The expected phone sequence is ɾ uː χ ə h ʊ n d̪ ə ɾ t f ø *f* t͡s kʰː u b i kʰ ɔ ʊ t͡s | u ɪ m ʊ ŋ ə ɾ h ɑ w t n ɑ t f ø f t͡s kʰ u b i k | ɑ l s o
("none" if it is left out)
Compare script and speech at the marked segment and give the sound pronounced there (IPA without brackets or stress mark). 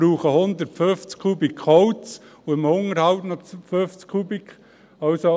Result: f